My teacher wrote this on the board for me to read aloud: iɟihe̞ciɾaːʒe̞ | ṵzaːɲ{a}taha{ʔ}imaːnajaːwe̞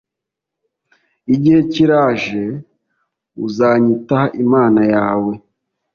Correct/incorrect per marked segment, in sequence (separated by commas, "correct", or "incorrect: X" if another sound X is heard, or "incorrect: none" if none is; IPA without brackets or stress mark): incorrect: i, correct